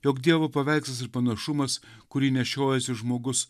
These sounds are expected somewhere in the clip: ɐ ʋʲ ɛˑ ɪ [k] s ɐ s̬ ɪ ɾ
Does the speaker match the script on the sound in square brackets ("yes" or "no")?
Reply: yes